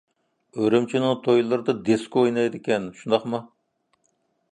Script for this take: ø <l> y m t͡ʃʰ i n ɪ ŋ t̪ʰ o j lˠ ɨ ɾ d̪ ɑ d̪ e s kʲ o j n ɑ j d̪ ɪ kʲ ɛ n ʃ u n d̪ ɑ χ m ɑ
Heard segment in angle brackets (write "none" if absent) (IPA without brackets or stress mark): ɾ